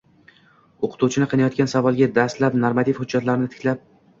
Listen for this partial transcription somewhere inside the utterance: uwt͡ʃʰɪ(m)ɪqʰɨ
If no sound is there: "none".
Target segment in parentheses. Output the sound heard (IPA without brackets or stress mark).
n